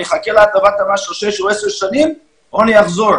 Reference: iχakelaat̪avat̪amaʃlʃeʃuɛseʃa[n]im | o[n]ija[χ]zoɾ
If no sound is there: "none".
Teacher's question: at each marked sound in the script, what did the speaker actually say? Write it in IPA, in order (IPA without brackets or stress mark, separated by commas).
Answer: n, n, χ